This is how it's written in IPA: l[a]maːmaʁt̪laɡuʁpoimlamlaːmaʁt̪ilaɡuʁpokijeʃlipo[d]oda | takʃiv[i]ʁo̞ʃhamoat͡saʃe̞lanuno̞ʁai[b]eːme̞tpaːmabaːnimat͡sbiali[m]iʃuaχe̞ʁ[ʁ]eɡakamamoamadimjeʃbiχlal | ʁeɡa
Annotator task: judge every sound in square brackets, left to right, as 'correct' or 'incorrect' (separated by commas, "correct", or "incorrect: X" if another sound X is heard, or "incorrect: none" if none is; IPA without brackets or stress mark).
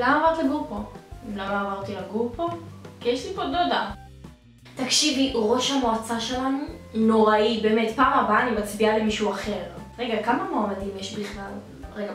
correct, correct, correct, correct, correct, correct